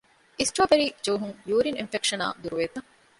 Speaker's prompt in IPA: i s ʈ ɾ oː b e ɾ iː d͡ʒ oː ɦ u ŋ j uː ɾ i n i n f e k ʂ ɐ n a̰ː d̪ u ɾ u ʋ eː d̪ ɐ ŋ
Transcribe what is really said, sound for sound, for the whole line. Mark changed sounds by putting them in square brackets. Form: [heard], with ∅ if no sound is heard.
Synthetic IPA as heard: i s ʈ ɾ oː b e ɾ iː d͡ʒ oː ɦ u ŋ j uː ɾ i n i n f e k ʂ ɐ n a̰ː d̪ u ɾ u ʋ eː [t̪] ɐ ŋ